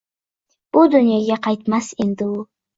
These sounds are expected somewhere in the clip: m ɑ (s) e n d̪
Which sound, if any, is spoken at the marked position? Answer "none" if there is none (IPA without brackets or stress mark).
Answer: s